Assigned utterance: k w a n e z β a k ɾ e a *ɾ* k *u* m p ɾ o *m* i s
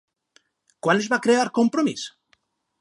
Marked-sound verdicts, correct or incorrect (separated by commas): correct, incorrect, correct